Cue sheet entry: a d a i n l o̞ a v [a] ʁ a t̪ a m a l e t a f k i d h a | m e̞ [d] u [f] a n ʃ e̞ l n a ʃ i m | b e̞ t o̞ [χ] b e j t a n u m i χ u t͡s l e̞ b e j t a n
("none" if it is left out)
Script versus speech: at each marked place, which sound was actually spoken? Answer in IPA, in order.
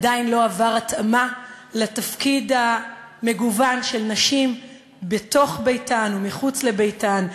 a, ɡ, v, χ

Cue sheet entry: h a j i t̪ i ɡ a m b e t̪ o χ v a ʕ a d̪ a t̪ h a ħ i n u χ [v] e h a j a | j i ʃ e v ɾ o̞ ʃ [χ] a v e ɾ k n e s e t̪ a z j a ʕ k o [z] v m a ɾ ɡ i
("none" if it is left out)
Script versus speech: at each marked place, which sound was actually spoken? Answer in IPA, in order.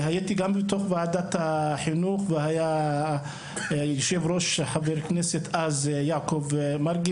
v, ħ, none

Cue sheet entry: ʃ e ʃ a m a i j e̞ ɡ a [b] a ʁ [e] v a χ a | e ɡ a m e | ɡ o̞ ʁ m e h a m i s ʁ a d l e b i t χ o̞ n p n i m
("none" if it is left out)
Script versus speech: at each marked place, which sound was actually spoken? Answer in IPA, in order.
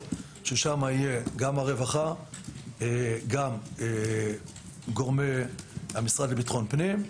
m, e

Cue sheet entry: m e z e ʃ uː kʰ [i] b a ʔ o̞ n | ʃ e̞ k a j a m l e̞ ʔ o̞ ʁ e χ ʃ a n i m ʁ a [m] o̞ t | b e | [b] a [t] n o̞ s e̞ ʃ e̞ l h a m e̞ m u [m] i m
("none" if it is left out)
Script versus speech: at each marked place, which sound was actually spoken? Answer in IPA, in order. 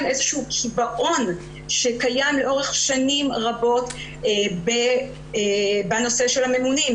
i, b, b, none, n

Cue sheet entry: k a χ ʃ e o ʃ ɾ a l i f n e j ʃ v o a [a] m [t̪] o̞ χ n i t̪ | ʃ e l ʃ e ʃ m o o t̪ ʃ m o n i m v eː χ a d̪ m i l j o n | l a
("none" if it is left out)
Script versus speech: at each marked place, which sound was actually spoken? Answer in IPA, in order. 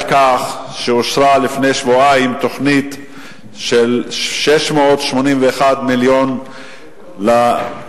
i, t̪

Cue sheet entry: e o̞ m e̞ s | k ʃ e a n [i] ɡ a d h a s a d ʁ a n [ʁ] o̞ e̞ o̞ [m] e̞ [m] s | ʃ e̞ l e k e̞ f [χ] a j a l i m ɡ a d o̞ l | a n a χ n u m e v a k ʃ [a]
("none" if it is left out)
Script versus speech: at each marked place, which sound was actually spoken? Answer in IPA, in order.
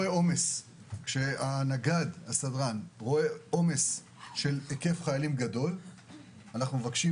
a, ʁ, m, none, χ, i

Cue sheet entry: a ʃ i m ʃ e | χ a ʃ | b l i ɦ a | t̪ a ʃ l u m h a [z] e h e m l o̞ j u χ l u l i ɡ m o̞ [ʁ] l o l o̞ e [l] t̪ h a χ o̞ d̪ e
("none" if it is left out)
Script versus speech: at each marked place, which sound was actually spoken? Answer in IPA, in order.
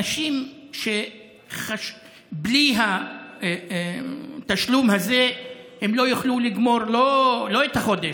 z, ʁ, none

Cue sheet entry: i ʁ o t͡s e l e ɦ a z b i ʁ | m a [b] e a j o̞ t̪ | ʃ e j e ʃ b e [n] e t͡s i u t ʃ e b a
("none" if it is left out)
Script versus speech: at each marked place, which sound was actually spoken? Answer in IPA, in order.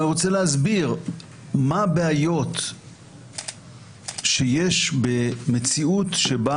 b, m

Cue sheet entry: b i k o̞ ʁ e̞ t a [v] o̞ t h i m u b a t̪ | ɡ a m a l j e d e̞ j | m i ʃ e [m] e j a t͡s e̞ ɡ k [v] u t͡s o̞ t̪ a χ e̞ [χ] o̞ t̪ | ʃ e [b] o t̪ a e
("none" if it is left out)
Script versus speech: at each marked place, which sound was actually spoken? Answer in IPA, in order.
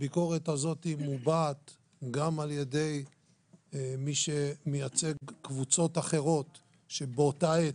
z, m, v, ʁ, b

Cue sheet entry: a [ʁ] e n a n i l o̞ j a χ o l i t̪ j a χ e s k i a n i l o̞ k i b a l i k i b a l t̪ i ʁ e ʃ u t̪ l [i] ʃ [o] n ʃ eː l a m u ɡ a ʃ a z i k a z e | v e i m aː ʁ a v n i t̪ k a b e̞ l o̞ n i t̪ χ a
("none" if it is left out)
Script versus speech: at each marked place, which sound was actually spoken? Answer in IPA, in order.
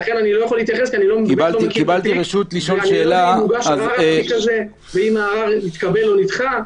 χ, i, o

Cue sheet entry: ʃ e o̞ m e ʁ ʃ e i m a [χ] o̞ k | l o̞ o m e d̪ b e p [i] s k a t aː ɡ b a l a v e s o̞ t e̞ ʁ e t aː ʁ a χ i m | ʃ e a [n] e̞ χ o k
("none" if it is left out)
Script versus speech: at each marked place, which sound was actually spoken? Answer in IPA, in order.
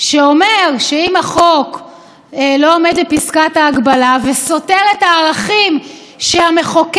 χ, i, m

